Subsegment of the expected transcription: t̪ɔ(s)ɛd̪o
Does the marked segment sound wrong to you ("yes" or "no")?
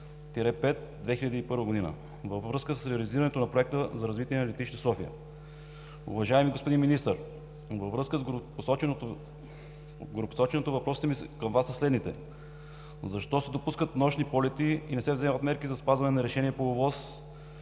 no